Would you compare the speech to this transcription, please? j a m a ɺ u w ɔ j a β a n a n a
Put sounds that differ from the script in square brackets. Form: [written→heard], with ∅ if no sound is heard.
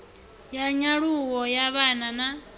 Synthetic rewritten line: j a [m→ɲ] a ɺ u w ɔ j a β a n a n a